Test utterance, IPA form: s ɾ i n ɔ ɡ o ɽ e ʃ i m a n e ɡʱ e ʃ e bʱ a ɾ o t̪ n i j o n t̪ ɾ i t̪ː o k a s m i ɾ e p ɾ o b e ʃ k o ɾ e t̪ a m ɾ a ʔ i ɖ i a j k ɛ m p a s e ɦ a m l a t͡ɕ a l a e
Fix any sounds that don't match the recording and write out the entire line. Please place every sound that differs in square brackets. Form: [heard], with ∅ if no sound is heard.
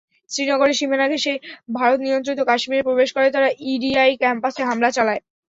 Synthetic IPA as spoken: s ɾ i n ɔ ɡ o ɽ e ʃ i m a n [a] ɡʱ e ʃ e bʱ a ɾ o t̪ n i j o n t̪ ɾ i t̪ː o k a [ʃ] m i ɾ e p ɾ o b e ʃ k o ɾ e t̪ a [∅] ɾ a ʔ i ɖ i a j k ɛ m p a s e ɦ a m l a t͡ɕ a l a e

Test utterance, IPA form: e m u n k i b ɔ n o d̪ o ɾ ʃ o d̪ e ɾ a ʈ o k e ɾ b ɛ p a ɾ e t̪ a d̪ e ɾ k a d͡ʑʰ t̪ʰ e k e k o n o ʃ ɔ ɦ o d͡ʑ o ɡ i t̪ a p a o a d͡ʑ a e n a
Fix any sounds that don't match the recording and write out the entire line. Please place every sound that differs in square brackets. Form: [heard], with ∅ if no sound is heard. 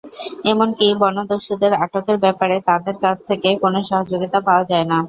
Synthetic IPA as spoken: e m [o] n k i b ɔ n o d̪ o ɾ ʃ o d̪ e ɾ a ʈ o k e ɾ b ɛ p a ɾ e t̪ a d̪ e ɾ k a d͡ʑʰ t̪ʰ e k e k o n o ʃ ɔ ɦ o d͡ʑ o ɡ i t̪ a p a o a d͡ʑ a e n a

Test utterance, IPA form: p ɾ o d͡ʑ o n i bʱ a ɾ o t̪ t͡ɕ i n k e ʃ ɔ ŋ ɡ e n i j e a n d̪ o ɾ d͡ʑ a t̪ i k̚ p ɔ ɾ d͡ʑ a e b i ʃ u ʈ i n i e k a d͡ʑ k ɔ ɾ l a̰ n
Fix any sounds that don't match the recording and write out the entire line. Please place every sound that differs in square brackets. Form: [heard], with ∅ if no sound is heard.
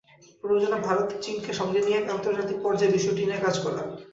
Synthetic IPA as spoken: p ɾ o d͡ʑ o n [a] bʱ a ɾ o t̪ t͡ɕ i n k e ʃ ɔ ŋ ɡ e n i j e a n [t̪] o ɾ d͡ʑ a t̪ i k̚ p ɔ ɾ d͡ʑ a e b i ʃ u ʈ i n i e k a d͡ʑ k ɔ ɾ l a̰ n

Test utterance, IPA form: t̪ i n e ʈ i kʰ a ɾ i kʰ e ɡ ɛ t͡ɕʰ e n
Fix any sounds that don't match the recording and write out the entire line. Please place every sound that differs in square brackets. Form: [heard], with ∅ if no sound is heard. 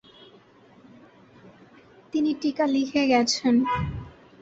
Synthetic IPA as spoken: t̪ i n [i] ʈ i [k] a [l] i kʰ e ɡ ɛ t͡ɕʰ e n

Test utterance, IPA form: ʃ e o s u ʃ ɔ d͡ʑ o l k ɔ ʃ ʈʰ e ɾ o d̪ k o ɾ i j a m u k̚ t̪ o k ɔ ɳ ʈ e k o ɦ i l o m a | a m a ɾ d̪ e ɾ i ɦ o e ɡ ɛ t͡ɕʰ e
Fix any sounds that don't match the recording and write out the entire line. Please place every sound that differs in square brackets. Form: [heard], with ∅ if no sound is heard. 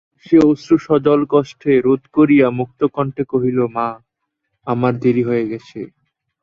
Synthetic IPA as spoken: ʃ e o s u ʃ ɔ d͡ʑ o l k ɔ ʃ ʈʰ e ɾ o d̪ k o ɾ i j a m u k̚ t̪ o k ɔ ɳ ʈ e k o ɦ i l o m a | a m a ɾ d̪ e ɾ i ɦ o e ɡ ɛ t͡ɕʰ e

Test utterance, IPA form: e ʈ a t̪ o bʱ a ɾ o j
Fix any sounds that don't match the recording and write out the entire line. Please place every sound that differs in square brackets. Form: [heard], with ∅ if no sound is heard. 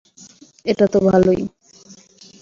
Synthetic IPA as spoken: e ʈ a t̪ o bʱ a [l] o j

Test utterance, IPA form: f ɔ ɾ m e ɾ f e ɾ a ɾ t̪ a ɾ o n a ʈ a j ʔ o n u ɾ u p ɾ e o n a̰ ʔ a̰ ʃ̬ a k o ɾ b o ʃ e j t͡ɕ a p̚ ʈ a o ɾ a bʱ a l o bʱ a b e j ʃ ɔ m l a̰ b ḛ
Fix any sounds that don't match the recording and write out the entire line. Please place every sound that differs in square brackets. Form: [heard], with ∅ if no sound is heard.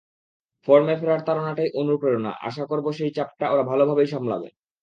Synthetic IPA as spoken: f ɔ ɾ m e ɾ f e ɾ a ɾ t̪ a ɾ o n a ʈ a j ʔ o n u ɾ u p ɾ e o n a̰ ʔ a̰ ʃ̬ a k o ɾ b o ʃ e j t͡ɕ a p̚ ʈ a o ɾ a bʱ a l o bʱ a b e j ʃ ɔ m l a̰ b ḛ

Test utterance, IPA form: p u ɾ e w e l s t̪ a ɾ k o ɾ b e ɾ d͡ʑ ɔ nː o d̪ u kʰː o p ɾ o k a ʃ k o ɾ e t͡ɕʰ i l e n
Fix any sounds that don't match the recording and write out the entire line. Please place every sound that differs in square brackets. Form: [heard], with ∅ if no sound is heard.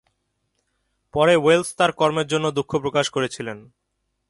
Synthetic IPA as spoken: p [ɔ] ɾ e w e l s t̪ a ɾ k [ɔ] ɾ [m] e ɾ d͡ʑ [o] nː o d̪ u kʰː o p ɾ o k a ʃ k o ɾ e t͡ɕʰ i l e n

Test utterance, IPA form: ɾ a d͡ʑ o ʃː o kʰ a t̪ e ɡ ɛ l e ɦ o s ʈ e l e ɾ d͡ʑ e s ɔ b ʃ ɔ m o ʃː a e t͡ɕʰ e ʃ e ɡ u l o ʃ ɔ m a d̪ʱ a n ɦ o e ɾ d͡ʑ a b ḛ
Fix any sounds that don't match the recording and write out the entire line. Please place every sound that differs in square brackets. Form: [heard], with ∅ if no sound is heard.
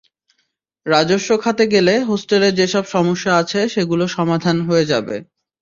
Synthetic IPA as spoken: ɾ a d͡ʑ o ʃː o kʰ a t̪ e ɡ [e] l e ɦ o s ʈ e l e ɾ d͡ʑ e [ʃ] ɔ b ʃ ɔ m o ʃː a [a] t͡ɕʰ e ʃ e ɡ u l o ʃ ɔ m a d̪ʱ a n ɦ o e [∅] d͡ʑ a b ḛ

